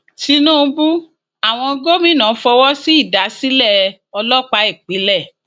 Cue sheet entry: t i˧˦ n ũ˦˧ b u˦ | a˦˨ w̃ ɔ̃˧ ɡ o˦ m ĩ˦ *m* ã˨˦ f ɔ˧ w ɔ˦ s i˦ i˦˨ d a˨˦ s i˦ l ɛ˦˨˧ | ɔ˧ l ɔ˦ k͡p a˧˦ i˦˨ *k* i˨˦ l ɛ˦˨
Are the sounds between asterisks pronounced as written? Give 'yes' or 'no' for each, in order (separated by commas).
no, no